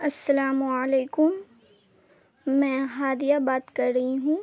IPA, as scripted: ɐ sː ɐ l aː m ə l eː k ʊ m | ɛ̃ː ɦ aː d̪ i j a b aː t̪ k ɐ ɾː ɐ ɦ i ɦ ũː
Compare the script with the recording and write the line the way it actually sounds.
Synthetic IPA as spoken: ɐ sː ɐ l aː m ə l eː k ʊ m | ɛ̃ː ɦ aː d̪ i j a b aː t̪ k ɐ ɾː ɐ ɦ i ɦ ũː